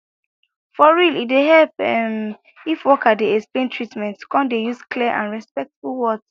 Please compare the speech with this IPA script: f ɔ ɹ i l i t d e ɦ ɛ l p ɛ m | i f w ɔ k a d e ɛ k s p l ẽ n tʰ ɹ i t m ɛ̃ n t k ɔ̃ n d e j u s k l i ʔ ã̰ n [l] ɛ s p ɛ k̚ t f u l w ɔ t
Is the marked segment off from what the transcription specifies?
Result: yes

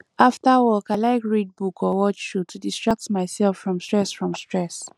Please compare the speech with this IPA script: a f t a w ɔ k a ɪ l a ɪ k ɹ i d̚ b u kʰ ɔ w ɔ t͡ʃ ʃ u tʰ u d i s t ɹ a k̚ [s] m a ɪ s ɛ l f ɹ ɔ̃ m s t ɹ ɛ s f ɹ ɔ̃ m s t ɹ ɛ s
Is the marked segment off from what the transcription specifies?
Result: yes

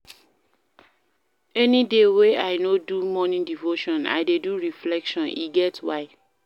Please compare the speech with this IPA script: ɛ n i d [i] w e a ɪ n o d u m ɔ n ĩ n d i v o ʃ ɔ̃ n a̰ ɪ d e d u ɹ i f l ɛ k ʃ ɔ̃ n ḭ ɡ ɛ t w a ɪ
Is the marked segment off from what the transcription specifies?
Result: yes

